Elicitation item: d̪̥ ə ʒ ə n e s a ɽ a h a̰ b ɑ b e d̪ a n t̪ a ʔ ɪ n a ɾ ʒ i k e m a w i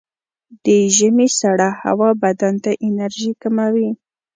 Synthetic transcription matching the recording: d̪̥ ə ʒ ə m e s a ɽ a h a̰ w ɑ b a d̪ a n t̪ a ʔ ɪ n a ɾ ʒ i k a m a w i